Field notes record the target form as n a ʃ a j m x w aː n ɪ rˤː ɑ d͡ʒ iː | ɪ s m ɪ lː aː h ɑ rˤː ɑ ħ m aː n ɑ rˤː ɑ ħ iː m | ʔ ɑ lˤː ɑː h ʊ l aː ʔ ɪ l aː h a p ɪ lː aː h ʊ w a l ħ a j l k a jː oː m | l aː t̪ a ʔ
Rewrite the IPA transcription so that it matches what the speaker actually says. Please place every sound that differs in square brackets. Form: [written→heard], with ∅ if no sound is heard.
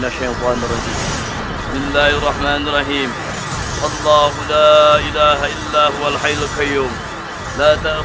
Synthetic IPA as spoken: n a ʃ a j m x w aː n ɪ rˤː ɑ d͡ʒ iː | ɪ s m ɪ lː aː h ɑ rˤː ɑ ħ m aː n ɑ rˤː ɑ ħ iː m | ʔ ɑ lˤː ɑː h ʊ l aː ʔ ɪ l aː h a [p→ʔ] ɪ lː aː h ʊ w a l ħ a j l k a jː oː m | l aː t̪ a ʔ